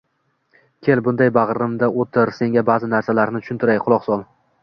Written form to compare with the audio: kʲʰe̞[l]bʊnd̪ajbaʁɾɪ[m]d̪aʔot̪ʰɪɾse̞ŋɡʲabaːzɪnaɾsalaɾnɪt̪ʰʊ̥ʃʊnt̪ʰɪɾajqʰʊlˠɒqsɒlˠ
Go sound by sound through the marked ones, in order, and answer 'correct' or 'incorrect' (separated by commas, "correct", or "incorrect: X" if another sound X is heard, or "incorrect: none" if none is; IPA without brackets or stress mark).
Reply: correct, correct